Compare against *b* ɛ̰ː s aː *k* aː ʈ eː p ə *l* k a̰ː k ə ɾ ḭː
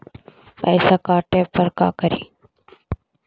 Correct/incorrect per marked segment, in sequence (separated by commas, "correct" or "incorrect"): incorrect, correct, incorrect